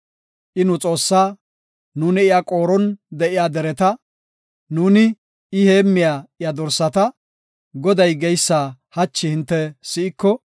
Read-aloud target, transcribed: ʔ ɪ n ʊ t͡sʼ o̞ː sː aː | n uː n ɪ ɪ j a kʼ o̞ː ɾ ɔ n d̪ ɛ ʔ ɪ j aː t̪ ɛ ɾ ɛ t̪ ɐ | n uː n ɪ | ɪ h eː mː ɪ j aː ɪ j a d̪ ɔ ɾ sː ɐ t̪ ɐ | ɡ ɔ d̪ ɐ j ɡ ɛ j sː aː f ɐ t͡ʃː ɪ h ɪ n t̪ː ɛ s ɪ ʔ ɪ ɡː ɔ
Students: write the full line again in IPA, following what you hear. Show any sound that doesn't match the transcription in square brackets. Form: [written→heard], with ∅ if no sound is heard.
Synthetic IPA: ʔ ɪ n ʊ t͡sʼ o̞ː sː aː | n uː n ɪ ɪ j a kʼ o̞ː ɾ ɔ n d̪ ɛ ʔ ɪ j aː [t̪→d̪] ɛ ɾ ɛ t̪ ɐ | n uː n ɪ | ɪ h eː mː ɪ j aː ɪ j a d̪ ɔ ɾ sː ɐ t̪ ɐ | ɡ ɔ d̪ ɐ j ɡ ɛ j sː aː [f→h] ɐ t͡ʃː ɪ h ɪ n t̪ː ɛ s ɪ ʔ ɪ [ɡː→kː] ɔ